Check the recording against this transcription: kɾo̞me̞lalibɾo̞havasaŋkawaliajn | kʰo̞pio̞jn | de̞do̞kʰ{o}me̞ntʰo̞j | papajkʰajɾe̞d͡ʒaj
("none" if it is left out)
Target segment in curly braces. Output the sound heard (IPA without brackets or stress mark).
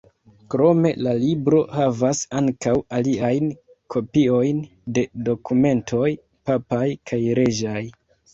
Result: u